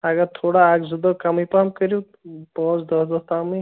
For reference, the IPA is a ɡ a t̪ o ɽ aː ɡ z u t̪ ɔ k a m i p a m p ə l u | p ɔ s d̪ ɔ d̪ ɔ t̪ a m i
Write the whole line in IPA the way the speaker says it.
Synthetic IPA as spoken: a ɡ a t̪ʰ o ɽ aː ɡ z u d̪ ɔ k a m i p a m k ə ɾ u | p ɔ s d̪ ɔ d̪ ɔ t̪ a m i